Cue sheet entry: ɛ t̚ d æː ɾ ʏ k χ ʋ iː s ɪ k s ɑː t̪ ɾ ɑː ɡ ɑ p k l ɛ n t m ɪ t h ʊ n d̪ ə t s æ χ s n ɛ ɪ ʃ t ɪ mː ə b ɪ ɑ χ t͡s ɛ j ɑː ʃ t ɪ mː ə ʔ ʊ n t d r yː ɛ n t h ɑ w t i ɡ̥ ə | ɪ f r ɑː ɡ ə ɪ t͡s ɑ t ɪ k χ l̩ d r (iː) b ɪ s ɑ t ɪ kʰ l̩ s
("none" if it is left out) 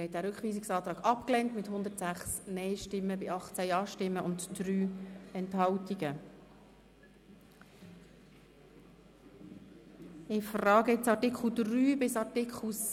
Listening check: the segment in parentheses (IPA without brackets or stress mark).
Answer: yː